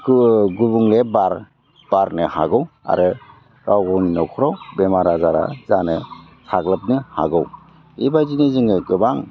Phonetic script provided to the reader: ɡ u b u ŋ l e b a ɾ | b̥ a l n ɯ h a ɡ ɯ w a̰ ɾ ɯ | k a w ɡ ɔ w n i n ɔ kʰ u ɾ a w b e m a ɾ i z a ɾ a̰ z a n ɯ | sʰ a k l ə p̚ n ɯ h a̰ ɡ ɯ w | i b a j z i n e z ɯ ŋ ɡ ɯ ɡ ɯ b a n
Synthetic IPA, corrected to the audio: ɡ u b u ŋ l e b a ɾ | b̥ a ɾ n ɯ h a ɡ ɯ w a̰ ɾ ɯ | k a w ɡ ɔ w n i n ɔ kʰ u ɾ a w b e m a ɾ a z a ɾ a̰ z a n ɯ | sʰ a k l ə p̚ n ɯ h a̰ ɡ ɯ w | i b a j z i n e z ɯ ŋ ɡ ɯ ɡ ɯ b a ŋ